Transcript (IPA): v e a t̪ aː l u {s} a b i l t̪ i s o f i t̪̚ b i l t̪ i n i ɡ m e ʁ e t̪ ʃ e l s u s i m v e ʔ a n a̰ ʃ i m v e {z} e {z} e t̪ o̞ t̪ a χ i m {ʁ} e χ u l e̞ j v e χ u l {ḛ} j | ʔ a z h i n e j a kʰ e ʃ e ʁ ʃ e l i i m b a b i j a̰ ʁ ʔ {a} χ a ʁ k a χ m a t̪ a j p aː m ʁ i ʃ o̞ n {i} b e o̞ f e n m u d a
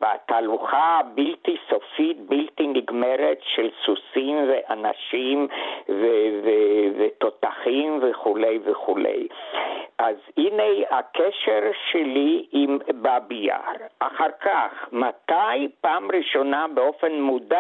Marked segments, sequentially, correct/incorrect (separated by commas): incorrect, incorrect, incorrect, incorrect, correct, correct, incorrect